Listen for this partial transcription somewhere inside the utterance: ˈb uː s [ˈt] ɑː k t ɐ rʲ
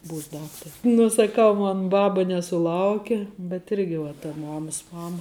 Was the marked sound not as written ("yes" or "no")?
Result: yes